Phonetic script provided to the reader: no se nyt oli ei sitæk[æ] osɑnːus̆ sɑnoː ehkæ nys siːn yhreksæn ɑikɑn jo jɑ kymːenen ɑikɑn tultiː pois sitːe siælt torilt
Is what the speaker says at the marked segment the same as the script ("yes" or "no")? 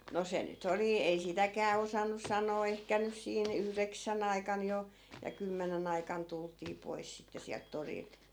no